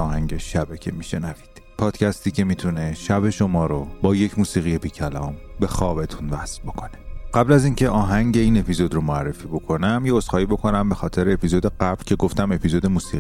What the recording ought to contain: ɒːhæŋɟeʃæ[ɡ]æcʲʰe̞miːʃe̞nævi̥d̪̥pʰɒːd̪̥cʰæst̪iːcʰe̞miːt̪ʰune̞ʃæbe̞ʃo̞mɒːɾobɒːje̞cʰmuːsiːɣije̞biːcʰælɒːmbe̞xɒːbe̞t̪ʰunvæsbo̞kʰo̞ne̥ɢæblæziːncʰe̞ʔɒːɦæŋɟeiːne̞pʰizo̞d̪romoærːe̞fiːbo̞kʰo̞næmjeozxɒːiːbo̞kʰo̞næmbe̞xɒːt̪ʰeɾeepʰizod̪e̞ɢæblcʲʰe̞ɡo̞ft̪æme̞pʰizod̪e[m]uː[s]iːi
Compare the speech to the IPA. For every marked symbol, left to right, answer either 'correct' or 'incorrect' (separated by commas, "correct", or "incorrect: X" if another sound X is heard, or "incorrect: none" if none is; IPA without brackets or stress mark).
incorrect: b, correct, correct